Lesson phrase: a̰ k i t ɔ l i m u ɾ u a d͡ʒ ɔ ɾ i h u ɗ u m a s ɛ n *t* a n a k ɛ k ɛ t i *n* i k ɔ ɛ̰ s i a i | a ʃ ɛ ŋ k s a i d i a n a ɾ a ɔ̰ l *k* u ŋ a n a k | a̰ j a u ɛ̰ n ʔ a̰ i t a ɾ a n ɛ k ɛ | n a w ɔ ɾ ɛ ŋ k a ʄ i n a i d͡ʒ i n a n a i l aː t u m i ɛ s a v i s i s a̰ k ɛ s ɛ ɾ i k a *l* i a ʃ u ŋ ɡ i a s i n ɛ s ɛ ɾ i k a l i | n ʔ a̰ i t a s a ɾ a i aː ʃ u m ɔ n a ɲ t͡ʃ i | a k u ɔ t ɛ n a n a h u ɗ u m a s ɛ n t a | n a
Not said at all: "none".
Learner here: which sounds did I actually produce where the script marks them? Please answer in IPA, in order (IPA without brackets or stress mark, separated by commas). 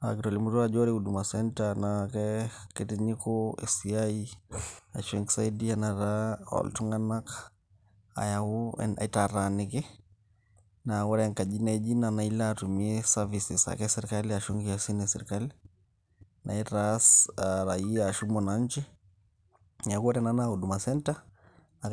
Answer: t, ɲ, t, l